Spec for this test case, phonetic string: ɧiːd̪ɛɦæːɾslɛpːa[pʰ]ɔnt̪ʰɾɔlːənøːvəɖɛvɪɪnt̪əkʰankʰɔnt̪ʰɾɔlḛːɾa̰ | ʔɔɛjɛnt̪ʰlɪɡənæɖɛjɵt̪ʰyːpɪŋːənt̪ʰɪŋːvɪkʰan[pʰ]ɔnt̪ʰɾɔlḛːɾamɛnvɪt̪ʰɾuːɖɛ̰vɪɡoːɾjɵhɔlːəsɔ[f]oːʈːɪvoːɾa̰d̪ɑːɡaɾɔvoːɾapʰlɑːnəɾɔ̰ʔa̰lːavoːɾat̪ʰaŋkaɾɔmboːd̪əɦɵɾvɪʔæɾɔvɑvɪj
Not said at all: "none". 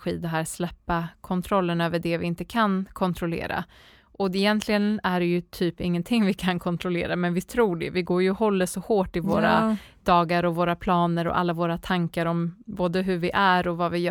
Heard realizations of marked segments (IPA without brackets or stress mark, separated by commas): kʰ, kʰ, h